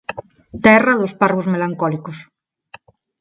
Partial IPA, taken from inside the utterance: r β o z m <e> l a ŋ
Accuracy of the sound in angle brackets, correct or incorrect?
correct